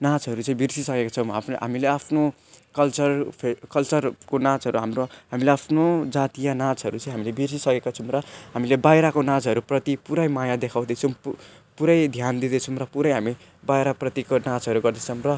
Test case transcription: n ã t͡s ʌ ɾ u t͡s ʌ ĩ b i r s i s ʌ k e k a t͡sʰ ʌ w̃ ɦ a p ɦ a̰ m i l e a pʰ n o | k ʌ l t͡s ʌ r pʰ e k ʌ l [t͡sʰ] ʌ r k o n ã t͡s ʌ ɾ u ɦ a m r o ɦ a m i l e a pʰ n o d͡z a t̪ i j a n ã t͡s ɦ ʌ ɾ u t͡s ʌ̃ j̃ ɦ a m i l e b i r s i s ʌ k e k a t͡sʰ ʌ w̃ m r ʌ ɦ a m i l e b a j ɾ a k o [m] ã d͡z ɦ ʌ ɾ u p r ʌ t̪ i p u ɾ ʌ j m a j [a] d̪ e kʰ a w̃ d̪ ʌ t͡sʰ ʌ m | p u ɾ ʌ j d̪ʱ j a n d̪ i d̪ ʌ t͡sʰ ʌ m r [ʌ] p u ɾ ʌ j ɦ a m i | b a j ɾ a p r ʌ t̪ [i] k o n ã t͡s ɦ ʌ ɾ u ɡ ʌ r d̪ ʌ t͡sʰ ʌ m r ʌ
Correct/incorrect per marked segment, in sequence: incorrect: t͡s, incorrect: n, correct, correct, correct

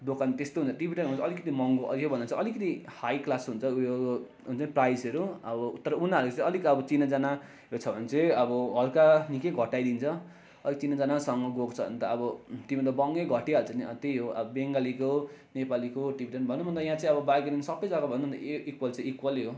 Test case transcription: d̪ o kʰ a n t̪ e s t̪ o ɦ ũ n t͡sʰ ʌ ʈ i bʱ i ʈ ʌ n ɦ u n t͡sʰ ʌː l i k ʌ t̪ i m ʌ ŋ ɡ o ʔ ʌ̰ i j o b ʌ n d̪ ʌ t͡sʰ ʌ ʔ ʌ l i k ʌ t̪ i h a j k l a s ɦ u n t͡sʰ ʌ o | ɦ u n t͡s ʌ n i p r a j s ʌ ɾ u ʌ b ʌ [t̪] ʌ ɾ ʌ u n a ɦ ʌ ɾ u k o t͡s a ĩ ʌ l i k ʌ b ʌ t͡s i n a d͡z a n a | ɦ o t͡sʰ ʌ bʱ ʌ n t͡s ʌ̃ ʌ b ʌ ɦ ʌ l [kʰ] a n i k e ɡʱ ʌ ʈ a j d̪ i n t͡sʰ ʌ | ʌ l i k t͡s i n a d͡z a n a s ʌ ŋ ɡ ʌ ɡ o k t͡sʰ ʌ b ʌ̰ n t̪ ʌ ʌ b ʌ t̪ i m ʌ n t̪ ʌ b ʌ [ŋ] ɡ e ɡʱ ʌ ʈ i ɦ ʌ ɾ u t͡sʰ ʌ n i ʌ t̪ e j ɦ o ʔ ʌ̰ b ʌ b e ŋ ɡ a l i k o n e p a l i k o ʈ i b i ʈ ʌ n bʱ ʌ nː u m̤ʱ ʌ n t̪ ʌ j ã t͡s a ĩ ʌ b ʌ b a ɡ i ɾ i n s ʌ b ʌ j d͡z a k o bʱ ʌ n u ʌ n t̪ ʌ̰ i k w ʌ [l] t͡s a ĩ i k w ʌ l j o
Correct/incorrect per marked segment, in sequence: correct, incorrect: k, correct, correct

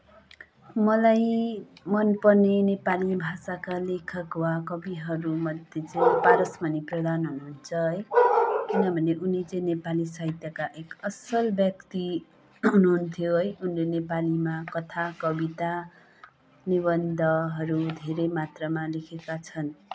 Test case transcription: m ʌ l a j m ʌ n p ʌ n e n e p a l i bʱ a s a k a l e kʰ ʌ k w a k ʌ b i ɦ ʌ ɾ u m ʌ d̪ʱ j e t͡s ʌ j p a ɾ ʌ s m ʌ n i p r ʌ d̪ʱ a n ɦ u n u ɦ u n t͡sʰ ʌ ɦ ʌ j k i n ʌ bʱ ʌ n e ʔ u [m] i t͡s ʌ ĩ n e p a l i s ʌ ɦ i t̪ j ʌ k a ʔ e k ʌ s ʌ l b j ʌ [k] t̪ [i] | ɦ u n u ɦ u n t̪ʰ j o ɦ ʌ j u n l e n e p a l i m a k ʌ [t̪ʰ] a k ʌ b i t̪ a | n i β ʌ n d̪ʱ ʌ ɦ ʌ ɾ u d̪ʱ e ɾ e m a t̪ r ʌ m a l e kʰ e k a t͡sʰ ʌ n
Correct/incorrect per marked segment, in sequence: incorrect: n, correct, correct, correct

